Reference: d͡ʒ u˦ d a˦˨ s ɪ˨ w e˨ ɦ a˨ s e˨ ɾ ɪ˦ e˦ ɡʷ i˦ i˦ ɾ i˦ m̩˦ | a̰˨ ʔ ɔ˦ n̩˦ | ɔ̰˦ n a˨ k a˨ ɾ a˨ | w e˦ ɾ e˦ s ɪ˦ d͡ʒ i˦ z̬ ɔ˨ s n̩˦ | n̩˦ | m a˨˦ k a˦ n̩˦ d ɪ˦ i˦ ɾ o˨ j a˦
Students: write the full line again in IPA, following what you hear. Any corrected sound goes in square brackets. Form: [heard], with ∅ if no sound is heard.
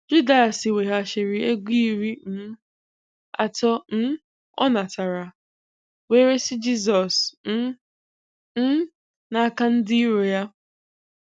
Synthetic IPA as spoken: d͡ʒ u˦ d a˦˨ s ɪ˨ w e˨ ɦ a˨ [ʃ] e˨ ɾ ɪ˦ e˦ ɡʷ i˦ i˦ ɾ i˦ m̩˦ | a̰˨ [t] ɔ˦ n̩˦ | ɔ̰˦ n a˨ [t] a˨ ɾ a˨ | w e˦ ɾ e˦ s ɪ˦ d͡ʒ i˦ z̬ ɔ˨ s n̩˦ | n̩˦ | [n] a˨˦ k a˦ n̩˦ d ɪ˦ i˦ ɾ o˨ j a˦